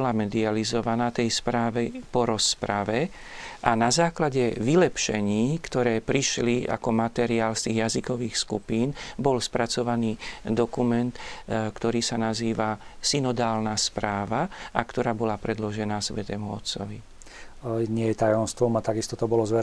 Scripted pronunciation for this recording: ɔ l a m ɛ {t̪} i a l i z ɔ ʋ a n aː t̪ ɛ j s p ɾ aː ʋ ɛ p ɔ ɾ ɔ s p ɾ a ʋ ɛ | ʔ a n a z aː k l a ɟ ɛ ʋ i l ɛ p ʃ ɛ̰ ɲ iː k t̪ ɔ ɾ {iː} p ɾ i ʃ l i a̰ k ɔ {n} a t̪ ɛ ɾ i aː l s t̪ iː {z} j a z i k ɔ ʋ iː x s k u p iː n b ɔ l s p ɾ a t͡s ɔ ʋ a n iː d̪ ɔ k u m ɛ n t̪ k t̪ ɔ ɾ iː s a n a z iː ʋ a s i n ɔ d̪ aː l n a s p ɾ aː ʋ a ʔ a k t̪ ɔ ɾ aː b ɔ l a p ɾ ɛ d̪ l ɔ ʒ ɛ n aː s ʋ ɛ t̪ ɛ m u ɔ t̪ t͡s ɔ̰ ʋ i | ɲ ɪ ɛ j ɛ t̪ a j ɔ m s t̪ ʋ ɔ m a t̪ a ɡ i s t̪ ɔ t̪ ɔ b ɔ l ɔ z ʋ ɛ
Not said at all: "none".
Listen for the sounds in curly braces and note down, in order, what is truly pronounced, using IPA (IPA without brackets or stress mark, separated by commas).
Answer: d̪, ɛː, m, ɣ